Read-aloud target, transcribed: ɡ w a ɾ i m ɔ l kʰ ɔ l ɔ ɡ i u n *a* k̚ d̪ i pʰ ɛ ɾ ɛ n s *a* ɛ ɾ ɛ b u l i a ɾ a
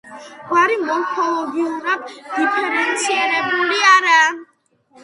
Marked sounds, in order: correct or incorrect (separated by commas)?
correct, incorrect